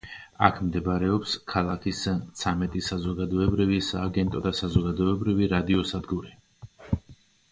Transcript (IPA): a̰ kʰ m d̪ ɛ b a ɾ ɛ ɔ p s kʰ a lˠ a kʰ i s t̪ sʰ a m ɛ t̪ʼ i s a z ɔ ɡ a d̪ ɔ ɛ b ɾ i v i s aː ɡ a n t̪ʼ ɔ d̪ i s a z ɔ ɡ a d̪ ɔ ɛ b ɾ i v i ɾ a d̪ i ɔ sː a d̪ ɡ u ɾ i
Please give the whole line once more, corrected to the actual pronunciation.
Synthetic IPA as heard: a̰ kʰ m d̪ ɛ b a ɾ ɛ ɔ p s kʰ a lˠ a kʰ i s t̪ sʰ a m ɛ t̪ʼ i s a z ɔ ɡ a d̪ ɔ ɛ b ɾ i v i s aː ɡ ɛ n t̪ʼ ɔ d̪ a s a z ɔ ɡ a d̪ ɔ ɛ b ɾ i v i ɾ a d̪ i ɔ s a d̪ ɡ u ɾ i